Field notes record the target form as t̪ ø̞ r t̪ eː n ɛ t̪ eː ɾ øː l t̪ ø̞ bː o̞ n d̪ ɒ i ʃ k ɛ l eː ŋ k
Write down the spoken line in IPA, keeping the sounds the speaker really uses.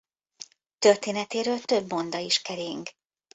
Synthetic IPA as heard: t̪ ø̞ r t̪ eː n ɛ t̪ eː ɾ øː l t̪ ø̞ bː o̞ n d̪ ɒ i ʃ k ɛ ɾ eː ŋ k